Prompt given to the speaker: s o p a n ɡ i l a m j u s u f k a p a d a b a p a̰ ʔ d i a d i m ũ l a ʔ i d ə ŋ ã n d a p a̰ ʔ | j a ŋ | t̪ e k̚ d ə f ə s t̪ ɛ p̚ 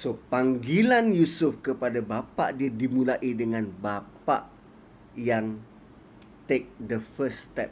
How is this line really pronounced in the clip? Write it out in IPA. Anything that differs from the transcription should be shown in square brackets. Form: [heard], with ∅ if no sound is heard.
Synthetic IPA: s o p a [ŋ] ɡ i l a [n] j u s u f k [ə] p a d a b a p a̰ ʔ d i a d i m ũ l a ʔ i d ə ŋ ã n [b] a p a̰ ʔ | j a ŋ | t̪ e k̚ d ə f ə s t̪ ɛ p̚